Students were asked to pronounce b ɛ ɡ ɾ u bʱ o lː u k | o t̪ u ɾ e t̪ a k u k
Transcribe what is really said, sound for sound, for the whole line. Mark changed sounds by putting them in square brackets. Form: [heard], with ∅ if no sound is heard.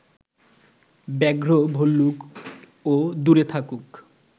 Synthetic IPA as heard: b ɛ ɡ ɾ [o] bʱ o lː u k | o [d̪] u ɾ e [t̪ʰ] a k u k